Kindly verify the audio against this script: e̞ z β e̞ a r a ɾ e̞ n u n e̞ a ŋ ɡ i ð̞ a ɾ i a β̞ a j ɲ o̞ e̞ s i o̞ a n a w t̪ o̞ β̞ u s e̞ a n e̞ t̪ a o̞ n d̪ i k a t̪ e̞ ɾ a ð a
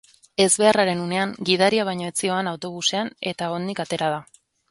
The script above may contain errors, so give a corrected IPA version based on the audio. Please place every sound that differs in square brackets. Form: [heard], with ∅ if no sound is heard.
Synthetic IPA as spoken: e̞ z β e̞ a r a ɾ e̞ n u n e̞ a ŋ ɡ i ð̞ a ɾ i a β̞ a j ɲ o̞ e̞ [t͡s] i o̞ a n a w t̪ o̞ β̞ u s e̞ a n e̞ t̪ a o̞ n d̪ i k a t̪ e̞ ɾ a ð a